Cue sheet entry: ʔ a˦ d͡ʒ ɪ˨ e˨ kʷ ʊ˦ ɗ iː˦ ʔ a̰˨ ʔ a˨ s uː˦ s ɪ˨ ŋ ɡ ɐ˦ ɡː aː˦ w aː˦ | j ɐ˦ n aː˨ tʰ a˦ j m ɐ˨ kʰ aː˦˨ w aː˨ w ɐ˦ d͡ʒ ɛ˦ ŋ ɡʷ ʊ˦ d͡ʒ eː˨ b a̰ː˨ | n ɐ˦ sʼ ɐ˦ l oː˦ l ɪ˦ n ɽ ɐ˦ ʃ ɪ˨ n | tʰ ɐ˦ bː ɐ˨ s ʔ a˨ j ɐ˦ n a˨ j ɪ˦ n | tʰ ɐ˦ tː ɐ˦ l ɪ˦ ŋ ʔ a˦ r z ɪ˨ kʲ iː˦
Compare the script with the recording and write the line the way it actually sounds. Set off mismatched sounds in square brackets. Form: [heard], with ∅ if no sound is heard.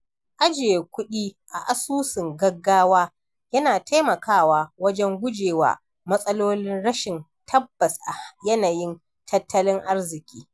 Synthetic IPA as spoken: ʔ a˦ d͡ʒ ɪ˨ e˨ kʷ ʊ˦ ɗ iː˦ ʔ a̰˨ ʔ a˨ s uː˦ s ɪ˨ ŋ ɡ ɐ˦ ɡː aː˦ w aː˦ | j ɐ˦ n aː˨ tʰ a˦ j m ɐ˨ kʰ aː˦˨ w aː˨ w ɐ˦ d͡ʒ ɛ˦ ŋ ɡʷ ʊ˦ d͡ʒ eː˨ [w] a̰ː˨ | [m] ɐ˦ sʼ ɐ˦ l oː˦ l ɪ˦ n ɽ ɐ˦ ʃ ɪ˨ n | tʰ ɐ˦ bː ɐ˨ s ʔ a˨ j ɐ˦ n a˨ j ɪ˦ n | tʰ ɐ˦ tː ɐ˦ l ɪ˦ ŋ ʔ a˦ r z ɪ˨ kʲ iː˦